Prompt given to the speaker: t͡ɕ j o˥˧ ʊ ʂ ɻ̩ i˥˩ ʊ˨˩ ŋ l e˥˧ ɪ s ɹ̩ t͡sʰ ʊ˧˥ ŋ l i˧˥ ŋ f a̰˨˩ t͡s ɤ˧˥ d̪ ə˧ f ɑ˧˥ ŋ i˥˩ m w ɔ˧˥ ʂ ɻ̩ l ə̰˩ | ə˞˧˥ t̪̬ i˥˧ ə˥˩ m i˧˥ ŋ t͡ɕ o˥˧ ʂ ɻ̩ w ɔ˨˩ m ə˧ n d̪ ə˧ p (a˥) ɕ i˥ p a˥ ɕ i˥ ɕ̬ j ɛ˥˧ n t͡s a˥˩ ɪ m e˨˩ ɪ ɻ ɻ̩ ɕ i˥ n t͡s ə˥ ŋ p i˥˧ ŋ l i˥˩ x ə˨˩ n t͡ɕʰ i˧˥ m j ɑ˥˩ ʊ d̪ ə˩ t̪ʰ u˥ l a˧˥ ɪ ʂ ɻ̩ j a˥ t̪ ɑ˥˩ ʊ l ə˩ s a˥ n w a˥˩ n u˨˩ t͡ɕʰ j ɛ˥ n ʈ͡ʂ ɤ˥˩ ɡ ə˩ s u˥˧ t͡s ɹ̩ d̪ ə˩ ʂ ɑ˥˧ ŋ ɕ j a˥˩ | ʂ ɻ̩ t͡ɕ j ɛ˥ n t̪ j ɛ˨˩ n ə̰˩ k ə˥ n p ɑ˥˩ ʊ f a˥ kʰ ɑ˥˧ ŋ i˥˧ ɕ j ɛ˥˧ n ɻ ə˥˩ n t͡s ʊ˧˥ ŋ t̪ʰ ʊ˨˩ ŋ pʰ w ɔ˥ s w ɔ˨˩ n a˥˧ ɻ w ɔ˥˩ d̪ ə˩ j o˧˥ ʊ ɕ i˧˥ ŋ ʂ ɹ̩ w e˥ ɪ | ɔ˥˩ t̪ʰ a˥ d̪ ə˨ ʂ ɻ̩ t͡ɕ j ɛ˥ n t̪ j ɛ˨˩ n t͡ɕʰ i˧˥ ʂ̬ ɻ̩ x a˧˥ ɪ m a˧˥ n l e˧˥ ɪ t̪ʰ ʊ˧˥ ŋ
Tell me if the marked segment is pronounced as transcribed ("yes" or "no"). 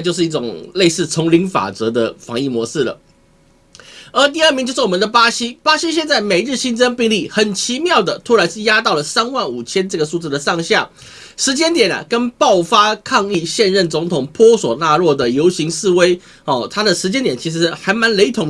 yes